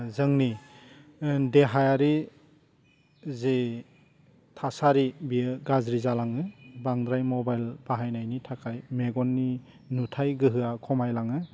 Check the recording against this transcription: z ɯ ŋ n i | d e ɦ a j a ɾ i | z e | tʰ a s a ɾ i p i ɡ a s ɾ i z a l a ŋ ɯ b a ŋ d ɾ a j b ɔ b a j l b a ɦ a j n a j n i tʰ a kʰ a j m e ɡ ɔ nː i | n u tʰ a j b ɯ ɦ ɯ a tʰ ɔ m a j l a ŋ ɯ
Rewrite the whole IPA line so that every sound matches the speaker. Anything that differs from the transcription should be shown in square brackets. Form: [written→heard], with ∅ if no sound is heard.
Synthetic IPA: z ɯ ŋ n i | d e ɦ a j a ɾ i | z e | tʰ a s a ɾ i [p→b] i ɡ a [s→z] ɾ i z a l a ŋ ɯ b a ŋ d ɾ a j [b→m] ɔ b a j l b a ɦ a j n a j n i tʰ a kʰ a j m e ɡ ɔ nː i | n u tʰ a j [b→ɡ] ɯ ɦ ɯ a [tʰ→kʰ] ɔ m a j l a ŋ ɯ